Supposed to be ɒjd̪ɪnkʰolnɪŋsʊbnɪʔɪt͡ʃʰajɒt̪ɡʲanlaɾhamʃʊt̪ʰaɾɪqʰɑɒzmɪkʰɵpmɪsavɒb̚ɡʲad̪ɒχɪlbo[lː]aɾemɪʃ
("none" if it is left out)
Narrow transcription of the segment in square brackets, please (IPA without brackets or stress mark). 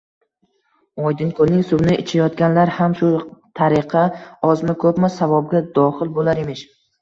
l